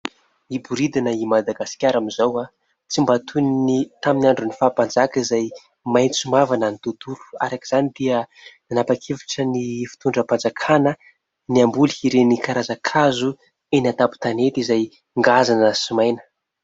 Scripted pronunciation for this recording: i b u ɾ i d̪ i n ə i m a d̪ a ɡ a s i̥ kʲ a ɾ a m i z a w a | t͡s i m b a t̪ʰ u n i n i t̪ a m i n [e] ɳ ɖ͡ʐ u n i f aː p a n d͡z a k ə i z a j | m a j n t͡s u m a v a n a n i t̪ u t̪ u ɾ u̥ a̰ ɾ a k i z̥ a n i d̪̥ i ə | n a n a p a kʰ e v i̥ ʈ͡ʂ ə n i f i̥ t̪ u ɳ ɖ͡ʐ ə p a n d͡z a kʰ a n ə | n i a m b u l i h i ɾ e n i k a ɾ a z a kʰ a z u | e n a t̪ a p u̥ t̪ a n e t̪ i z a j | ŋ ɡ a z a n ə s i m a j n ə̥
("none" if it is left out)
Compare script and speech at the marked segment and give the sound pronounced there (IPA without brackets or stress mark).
a